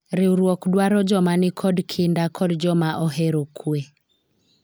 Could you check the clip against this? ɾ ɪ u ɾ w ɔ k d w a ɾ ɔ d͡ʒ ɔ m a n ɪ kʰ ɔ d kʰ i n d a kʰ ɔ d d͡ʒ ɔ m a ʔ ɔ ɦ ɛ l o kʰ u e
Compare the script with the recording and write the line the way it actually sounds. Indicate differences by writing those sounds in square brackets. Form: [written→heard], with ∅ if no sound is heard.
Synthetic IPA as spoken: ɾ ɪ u ɾ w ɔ k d w a ɾ ɔ d͡ʒ ɔ m a n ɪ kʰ ɔ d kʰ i n d a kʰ ɔ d d͡ʒ ɔ m a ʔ ɔ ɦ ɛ [l→ɾ] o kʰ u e